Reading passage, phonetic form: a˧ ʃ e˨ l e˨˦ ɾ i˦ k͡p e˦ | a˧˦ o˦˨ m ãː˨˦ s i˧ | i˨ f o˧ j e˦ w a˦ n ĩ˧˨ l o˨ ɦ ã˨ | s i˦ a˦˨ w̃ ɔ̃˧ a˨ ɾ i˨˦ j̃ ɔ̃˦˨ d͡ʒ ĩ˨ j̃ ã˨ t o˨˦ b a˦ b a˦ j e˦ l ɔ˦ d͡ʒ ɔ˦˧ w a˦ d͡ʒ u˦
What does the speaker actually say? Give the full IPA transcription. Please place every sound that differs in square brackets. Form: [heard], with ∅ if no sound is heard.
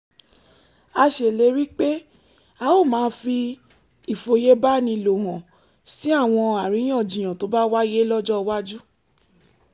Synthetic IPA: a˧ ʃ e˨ l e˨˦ ɾ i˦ k͡p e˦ | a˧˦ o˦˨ m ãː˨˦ [f] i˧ | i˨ f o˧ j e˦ [b] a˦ n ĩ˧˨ l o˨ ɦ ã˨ | s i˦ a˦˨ w̃ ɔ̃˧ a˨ ɾ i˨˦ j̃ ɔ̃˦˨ d͡ʒ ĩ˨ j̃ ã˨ t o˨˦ b a˦ [w] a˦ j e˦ l ɔ˦ d͡ʒ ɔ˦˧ w a˦ d͡ʒ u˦